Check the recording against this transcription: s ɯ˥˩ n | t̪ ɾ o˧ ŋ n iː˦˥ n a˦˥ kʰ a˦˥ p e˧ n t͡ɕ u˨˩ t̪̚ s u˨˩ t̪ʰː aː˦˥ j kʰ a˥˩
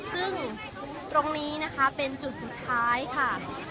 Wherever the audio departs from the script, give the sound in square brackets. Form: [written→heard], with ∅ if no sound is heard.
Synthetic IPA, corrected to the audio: s ɯ˥˩ [n→ŋ] | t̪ ɾ o˧ ŋ n iː˦˥ n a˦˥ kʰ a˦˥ p e˧ n t͡ɕ u˨˩ t̪̚ s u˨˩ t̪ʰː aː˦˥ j kʰ a˥˩

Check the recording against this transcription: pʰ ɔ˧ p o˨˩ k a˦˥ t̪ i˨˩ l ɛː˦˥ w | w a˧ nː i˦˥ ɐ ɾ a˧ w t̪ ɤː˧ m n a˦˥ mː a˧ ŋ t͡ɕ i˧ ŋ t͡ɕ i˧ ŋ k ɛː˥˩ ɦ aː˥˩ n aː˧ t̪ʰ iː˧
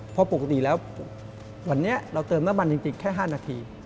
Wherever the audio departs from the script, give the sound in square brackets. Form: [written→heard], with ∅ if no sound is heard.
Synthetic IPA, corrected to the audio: pʰ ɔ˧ p o˨˩ k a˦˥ t̪ i˨˩ l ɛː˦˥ w | w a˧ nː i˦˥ ɐ ɾ a˧ w t̪ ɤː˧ m n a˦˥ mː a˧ [ŋ→n] t͡ɕ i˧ ŋ t͡ɕ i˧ ŋ [k→kʰ] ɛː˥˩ ɦ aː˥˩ n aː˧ t̪ʰ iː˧

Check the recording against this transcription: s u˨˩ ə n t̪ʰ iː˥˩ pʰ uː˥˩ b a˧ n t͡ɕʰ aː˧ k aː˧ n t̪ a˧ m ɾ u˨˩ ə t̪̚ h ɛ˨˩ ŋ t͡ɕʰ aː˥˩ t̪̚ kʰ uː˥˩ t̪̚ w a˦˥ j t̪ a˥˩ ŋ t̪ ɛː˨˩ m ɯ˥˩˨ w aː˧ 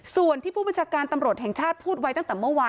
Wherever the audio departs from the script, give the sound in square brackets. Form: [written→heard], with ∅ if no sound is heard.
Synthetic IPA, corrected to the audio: s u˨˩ ə n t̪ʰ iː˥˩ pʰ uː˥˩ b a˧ n t͡ɕʰ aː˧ k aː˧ n t̪ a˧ m ɾ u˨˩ ə t̪̚ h ɛ˨˩ ŋ t͡ɕʰ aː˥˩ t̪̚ [kʰ→pʰ] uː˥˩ t̪̚ w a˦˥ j t̪ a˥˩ ŋ t̪ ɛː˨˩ m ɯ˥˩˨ w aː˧

